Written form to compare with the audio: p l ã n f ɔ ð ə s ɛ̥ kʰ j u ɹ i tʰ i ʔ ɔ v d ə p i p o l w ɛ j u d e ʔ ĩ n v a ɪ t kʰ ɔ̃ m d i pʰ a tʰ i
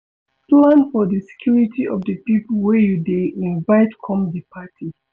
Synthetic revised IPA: p l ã n f ɔ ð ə s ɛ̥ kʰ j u ɹ i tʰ i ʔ ɔ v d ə p i p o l w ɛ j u d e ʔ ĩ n v a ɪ t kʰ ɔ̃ m d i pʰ a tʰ i